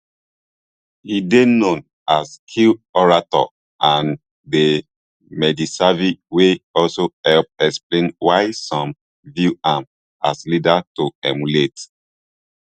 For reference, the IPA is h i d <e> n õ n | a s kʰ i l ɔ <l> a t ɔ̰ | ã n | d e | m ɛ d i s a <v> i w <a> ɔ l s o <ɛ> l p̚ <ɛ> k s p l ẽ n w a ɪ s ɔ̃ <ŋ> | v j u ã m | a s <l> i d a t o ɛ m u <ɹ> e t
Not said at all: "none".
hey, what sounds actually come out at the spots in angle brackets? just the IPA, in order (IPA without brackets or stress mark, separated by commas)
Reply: e, ɹ, v, e, ɛ, ɛ, m, l, l